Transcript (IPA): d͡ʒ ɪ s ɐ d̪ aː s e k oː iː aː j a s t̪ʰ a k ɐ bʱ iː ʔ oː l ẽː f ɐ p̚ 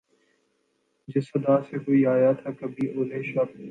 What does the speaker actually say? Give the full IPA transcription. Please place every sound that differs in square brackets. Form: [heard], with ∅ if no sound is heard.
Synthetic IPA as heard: d͡ʒ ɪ s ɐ d̪ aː s e k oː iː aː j a [∅] t̪ʰ a k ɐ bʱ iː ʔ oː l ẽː [ʃ] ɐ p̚